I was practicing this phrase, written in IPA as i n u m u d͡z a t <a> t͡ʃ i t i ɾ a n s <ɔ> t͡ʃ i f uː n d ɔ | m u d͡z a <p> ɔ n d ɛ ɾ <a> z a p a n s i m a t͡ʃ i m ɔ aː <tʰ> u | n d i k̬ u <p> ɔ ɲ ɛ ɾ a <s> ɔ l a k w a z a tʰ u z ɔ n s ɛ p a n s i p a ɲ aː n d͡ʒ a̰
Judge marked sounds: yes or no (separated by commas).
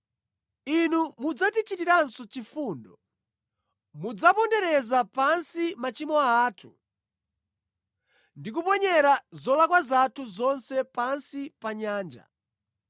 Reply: no, yes, yes, no, yes, yes, no